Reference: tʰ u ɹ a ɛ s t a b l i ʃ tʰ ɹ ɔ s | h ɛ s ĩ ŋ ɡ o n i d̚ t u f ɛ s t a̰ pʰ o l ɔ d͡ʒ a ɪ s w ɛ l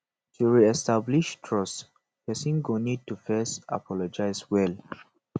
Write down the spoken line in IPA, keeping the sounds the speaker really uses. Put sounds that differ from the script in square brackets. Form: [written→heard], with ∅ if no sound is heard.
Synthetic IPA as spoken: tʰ u ɹ [a→i] ɛ s t a b l i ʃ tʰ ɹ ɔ s | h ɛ s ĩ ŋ ɡ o n i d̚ t u f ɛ s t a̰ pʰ [o→ɔ] l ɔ d͡ʒ a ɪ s w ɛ l